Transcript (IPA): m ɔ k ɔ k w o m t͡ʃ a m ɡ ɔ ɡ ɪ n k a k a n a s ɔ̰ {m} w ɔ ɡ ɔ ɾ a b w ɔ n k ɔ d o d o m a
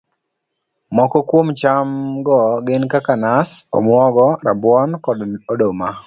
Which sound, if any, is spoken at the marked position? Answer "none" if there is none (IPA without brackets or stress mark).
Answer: m